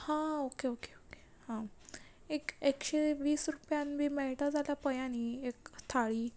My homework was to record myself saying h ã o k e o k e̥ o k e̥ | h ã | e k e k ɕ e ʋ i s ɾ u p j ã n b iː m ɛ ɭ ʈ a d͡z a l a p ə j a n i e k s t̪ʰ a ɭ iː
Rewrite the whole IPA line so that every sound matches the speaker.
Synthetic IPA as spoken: h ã o k e o k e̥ o k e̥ | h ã | e k e k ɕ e ʋ iː s ɾ u p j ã n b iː m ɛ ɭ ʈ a d͡z a l a p ə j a n i e k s t̪ʰ a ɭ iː